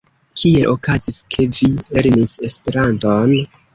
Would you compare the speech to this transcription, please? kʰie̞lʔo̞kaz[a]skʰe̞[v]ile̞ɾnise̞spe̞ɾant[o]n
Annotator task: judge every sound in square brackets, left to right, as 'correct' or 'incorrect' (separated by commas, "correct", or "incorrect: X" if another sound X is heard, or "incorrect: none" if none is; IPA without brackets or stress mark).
incorrect: i, correct, correct